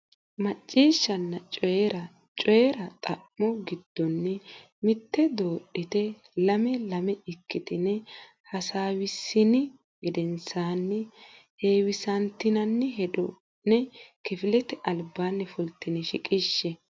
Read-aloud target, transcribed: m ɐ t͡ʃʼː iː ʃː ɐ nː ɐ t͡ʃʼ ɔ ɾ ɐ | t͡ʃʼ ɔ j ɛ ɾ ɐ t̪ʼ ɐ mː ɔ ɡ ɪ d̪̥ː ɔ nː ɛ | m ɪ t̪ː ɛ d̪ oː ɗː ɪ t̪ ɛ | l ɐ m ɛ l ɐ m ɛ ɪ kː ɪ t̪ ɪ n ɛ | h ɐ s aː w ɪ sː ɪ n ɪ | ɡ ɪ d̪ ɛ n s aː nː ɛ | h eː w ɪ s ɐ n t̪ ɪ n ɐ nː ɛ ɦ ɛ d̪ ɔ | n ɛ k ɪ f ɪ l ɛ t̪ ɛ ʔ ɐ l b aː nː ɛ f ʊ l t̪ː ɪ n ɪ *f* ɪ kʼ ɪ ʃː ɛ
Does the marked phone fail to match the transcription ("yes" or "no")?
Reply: yes